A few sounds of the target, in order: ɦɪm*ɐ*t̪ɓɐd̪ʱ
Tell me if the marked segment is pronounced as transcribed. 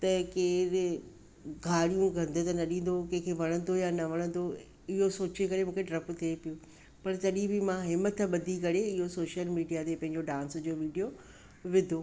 no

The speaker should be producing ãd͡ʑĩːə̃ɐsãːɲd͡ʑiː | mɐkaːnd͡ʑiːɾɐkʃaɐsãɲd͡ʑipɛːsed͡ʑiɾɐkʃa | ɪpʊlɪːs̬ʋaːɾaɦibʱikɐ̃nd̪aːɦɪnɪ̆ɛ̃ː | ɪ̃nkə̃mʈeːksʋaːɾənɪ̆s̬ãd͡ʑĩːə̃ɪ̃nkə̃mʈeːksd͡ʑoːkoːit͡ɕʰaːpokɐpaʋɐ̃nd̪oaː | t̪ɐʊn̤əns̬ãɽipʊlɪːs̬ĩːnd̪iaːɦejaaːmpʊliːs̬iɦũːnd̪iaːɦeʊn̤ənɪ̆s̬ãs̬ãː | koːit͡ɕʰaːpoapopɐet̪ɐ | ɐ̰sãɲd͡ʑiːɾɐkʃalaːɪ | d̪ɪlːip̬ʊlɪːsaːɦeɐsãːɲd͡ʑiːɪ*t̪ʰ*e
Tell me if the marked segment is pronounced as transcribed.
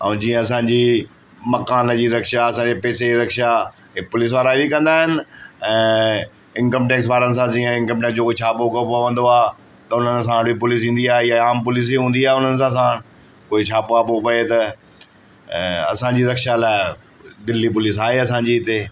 no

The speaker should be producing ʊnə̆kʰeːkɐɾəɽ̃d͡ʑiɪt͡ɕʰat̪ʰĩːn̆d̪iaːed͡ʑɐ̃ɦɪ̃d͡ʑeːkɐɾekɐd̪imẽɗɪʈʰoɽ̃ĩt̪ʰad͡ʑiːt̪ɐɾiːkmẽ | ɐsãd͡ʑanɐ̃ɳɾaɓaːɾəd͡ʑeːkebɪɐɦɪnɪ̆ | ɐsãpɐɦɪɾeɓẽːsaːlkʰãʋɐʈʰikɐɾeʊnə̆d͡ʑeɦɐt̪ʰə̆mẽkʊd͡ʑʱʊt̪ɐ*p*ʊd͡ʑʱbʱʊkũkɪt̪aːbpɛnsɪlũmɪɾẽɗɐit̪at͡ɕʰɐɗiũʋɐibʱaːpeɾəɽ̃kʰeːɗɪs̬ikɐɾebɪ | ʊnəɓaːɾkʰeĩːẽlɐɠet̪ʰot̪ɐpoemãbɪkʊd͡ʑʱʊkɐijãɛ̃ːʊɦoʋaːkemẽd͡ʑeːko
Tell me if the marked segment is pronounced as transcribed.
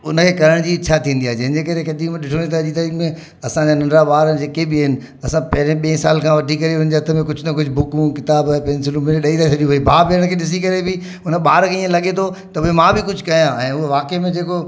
no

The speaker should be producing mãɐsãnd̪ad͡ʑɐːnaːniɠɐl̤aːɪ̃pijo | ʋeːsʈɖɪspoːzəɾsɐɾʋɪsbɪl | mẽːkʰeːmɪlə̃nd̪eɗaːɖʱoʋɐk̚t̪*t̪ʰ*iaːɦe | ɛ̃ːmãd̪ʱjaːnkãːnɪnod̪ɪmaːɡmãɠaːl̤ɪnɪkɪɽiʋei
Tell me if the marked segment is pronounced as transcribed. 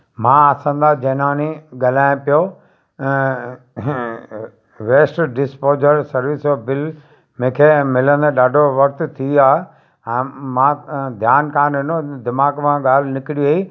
yes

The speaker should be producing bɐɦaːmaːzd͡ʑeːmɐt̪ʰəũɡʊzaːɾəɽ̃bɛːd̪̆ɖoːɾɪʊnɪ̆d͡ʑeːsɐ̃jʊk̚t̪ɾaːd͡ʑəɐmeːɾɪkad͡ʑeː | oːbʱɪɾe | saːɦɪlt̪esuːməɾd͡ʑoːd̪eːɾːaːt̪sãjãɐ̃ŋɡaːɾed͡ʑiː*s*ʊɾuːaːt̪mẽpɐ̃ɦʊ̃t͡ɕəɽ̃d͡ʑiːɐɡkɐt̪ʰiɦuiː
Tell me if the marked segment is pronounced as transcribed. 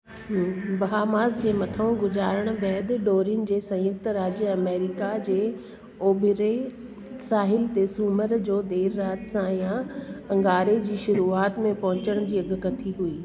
no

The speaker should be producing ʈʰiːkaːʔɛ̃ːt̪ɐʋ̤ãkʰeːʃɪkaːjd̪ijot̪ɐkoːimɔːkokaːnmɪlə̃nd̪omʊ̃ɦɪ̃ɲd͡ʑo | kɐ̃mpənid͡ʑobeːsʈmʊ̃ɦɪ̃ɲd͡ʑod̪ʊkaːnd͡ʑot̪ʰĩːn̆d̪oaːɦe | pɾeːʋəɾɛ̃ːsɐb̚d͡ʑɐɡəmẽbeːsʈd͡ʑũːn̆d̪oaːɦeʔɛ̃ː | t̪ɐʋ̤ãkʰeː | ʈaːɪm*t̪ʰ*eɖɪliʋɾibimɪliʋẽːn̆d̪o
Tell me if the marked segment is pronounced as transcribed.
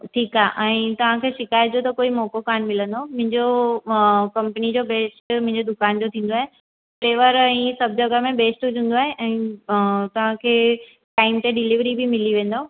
no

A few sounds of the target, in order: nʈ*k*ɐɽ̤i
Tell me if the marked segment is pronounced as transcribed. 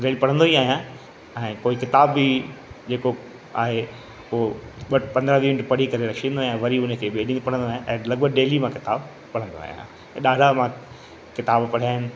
no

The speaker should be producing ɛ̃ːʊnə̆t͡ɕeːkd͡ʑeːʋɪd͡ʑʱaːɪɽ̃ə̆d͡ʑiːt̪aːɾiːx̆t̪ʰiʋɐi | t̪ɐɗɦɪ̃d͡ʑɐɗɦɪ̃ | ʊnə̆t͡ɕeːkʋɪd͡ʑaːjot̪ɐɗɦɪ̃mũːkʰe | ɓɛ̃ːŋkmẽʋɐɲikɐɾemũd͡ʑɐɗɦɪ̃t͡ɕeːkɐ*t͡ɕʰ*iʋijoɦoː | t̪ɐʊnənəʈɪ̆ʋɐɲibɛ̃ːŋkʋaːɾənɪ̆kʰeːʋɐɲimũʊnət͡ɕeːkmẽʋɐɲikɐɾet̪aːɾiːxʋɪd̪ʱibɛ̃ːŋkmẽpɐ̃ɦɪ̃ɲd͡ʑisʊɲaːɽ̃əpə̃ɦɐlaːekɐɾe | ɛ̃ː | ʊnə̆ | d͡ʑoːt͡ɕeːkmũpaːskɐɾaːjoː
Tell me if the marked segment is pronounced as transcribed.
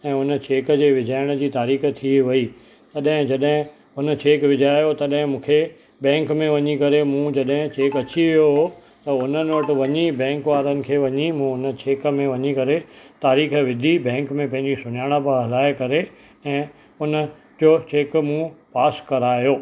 no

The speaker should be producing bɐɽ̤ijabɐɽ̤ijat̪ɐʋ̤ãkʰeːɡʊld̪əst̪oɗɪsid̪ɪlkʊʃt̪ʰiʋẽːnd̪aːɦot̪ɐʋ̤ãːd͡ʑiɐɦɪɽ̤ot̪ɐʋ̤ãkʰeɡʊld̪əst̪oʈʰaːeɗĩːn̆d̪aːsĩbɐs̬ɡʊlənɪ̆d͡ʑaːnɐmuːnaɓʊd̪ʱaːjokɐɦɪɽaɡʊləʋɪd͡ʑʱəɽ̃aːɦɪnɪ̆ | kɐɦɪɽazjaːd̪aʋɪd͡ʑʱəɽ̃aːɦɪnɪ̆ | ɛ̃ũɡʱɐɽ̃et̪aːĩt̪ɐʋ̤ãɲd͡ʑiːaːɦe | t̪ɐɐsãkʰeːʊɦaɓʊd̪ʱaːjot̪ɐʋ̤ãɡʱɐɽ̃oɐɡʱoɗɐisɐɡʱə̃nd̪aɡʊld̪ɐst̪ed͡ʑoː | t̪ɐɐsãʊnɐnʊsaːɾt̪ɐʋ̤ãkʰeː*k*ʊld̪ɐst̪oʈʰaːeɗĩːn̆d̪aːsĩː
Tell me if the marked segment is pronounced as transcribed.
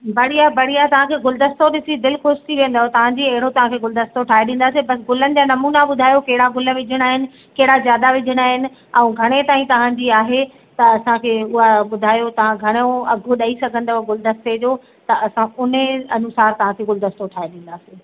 no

